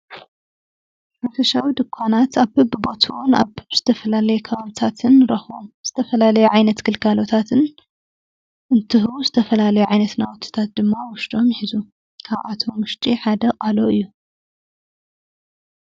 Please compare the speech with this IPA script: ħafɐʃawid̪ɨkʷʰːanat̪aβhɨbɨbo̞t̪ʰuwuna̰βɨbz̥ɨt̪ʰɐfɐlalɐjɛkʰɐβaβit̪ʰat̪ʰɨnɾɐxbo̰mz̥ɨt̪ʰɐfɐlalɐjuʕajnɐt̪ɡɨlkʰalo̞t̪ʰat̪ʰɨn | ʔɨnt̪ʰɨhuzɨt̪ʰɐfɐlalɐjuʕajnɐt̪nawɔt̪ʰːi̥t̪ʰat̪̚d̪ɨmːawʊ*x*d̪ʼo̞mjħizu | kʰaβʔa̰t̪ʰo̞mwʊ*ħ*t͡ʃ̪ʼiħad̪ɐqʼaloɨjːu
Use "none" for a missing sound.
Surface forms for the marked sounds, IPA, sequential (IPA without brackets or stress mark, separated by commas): ʃ, ʃ